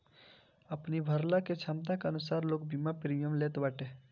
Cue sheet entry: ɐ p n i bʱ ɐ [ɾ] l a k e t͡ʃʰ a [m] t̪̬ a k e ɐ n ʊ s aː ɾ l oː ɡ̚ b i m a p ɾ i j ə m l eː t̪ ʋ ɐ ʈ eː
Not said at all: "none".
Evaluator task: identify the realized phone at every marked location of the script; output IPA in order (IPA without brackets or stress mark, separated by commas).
ɾ, m